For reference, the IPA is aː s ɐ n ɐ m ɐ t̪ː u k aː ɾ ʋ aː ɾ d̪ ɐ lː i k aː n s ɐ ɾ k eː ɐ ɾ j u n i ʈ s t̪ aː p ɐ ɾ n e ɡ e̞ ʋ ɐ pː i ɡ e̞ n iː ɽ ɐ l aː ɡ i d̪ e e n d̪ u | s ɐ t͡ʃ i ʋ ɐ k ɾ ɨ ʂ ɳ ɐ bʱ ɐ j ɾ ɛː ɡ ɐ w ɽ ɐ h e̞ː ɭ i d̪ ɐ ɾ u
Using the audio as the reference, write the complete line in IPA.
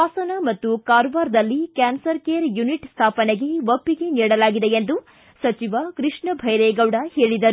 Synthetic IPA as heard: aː s ɐ n ɐ m ɐ t̪ː u k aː ɾ ʋ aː ɾ d̪ ɐ lː i k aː n s ɐ ɾ k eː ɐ ɾ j u n i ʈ s t̪ʰ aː p ɐ n e ɡ e̞ ʋ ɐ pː i ɡ e̞ n iː ɽ ɐ l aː ɡ i d̪ e e n d̪ u | s ɐ t͡ʃ i ʋ ɐ k ɾ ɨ ʂ ɳ ɐ bʱ ɐ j ɾ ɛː ɡ ɐ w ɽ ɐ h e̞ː ɭ i d̪ ɐ ɾ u

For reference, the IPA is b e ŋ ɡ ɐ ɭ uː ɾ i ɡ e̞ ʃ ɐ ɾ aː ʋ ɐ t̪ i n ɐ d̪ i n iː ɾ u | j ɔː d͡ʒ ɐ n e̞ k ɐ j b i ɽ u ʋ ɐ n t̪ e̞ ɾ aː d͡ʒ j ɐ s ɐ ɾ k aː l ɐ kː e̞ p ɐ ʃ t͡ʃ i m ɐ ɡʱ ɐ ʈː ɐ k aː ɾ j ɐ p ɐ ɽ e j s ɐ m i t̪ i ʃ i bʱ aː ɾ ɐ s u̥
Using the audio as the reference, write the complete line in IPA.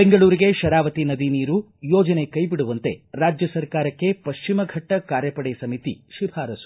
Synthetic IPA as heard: b e ŋ ɡ ɐ ɭ uː ɾ i ɡ e̞ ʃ ɐ ɾ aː ʋ ɐ t̪ i n ɐ d̪ i n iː ɾ u | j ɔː d͡ʒ ɐ n e̞ k ɐ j b i ɽ u ʋ ɐ n t̪ e̞ ɾ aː d͡ʒ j ɐ s ɐ ɾ k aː ɾ ɐ kː e̞ p ɐ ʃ t͡ʃ i m ɐ ɡʱ ɐ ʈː ɐ k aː ɾ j ɐ p ɐ ɽ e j s ɐ m i t̪ i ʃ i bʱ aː ɾ ɐ s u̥

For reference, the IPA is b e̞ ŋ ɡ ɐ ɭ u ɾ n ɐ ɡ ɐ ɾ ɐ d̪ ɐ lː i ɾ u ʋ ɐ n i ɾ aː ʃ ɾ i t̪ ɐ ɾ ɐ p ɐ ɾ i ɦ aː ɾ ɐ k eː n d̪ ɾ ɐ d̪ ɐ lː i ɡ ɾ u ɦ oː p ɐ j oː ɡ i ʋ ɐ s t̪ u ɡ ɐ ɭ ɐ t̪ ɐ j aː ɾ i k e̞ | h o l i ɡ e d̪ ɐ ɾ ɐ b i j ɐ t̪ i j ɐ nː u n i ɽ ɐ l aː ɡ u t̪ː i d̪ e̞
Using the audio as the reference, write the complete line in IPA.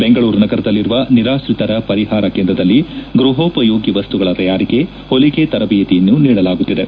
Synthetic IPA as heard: b e̞ ŋ ɡ ɐ ɭ uː ɾ n ɐ ɡ ɐ ɾ ɐ d̪ ɐ lː i ɾ u ʋ ɐ n i ɾ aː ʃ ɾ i t̪ ɐ ɾ ɐ p ɐ ɾ i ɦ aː ɾ ɐ k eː n d̪ ɾ ɐ d̪ ɐ lː i ɡ ɾ u ɦ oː p ɐ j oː ɡ i ʋ ɐ s t̪ u ɡ ɐ ɭ ɐ t̪ ɐ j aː ɾ i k e̞ | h o l i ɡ e t̪ ɐ ɾ ɐ b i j ɐ t̪ i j ɐ nː u n iː ɽ ɐ l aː ɡ u t̪ː i d̪ e̞

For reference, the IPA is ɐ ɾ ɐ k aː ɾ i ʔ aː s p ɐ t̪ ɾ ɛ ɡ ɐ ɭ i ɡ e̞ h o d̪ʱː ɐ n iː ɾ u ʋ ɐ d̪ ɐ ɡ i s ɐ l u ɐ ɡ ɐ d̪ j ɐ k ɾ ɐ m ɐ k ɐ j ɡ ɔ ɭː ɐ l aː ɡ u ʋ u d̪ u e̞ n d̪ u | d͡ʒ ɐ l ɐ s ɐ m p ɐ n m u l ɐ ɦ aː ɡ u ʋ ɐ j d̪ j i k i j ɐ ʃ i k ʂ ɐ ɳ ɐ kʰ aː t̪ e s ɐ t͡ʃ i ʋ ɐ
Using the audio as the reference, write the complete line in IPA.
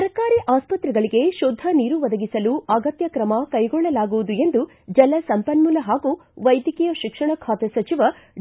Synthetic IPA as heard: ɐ ɾ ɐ k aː ɾ i ʔ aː s p ɐ t̪ ɾ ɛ ɡ ɐ ɭ i ɡ e̞ ʃ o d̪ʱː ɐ n iː ɾ u ʋ ɐ d̪ ɐ ɡ i s ɐ l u ɐ ɡ ɐ t̪ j ɐ k ɾ ɐ m ɐ k ɐ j ɡ ɔ ɭː ɐ l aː ɡ u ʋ u d̪ u e̞ n d̪ u | d͡ʒ ɐ l ɐ s ɐ m p ɐ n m u l ɐ ɦ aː ɡ u ʋ ɐ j d̪ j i k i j ɐ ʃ i k ʂ ɐ ɳ ɐ kʰ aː t̪ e s ɐ t͡ʃ i ʋ ɐ

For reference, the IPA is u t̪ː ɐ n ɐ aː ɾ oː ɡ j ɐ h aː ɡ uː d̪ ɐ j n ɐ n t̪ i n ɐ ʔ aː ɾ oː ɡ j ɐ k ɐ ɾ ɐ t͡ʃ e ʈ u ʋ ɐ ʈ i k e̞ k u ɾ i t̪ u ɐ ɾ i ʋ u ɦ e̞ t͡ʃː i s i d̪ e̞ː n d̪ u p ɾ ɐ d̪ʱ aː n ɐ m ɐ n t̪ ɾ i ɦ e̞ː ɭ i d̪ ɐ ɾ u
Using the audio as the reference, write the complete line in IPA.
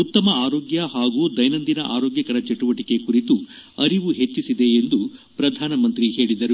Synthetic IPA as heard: u t̪ː ɐ m ɐ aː ɾ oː ɡ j ɐ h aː ɡ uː d̪ ɐ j n ɐ n d̪ i n ɐ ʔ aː ɾ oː ɡ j ɐ k ɐ ɾ ɐ t͡ʃ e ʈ u ʋ ɐ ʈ i k e̞ k u ɾ i t̪ u ɐ ɾ i ʋ u ɦ e̞ t͡ʃː i s i d̪ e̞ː n d̪ u p ɾ ɐ d̪ʱ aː n ɐ m ɐ n t̪ ɾ i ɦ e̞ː ɭ i d̪ ɐ ɾ u

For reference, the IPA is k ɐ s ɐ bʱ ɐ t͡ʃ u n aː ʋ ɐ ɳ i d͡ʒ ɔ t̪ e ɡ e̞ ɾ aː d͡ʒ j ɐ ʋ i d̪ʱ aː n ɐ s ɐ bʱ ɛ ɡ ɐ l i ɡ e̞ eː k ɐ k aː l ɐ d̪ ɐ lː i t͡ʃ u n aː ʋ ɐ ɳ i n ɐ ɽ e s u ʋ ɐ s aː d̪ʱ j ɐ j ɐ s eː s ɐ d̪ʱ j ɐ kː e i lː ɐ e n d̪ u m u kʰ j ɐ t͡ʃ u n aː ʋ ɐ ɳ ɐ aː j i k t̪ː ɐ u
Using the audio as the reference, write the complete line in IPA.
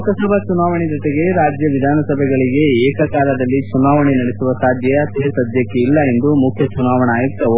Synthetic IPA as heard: k ɐ s ɐ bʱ ɐ t͡ʃ u n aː ʋ ɐ ɳ i d͡ʒ ɔ t̪ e ɡ e̞ ɾ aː d͡ʒ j ɐ ʋ i d̪ʱ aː n ɐ s ɐ bʱ ɛ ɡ ɐ ɭ i ɡ e̞ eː k ɐ k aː l ɐ d̪ ɐ lː i t͡ʃ u n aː ʋ ɐ ɳ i n ɐ ɽ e s u ʋ ɐ s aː d̪ʱ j ɐ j ɐ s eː s ɐ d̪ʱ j ɐ kː e i lː ɐ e n d̪ u m u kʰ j ɐ t͡ʃ u n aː ʋ ɐ ɳ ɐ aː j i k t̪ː ɐ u

